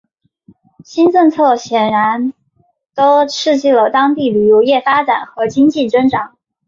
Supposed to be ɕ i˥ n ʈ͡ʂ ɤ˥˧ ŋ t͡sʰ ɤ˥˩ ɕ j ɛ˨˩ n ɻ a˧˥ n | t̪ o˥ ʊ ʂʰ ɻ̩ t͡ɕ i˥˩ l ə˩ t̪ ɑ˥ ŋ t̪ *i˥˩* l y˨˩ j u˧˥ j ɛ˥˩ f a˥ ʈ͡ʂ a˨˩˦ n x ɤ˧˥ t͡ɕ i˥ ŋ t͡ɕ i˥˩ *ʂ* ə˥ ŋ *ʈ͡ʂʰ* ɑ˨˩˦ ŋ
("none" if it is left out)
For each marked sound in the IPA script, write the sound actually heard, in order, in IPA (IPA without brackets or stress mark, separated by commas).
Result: i˥˩, ʈ͡ʂ, ʈ͡ʂ